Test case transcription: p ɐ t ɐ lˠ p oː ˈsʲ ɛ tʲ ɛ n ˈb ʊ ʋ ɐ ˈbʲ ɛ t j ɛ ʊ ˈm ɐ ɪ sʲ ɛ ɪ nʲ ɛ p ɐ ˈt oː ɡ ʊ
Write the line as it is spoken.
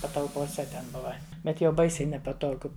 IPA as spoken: p ɐ t ɐ lˠ p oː ˈsʲ ɛ tʲ ɛ n ˈb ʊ ʋ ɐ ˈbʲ ɛ t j ɛ ʊ ˈb ɐ ɪ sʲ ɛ ɪ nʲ ɛ p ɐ ˈt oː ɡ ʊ